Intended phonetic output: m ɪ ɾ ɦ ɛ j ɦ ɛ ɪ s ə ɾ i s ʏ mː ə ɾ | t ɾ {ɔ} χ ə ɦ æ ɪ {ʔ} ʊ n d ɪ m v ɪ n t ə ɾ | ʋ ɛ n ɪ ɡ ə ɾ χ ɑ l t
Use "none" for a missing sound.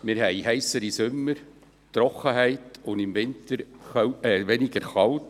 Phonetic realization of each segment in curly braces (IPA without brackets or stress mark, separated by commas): ɔ, t